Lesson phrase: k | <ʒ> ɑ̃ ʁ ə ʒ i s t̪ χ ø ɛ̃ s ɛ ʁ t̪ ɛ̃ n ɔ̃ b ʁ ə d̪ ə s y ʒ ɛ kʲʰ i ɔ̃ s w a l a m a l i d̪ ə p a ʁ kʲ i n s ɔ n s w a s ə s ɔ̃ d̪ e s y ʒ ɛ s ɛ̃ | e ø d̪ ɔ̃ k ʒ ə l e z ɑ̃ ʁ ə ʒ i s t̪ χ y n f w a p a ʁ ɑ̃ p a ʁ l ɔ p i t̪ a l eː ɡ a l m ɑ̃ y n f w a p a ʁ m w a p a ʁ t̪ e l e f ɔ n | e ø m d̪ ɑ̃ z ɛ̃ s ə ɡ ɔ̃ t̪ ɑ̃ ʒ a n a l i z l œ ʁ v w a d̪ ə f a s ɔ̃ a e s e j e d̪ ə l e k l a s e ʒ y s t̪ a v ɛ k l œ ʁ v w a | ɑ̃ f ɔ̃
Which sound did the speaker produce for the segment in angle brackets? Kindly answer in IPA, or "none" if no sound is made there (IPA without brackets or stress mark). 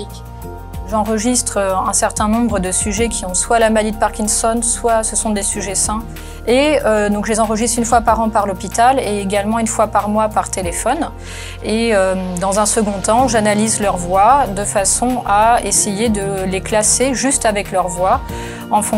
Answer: ʒ